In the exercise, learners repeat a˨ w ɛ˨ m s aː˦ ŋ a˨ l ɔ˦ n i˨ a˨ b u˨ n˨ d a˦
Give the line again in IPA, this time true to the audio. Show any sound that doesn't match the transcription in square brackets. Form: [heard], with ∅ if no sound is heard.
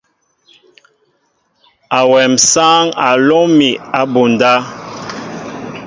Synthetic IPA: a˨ w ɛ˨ m s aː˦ ŋ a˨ l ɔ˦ [m] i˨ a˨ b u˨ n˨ d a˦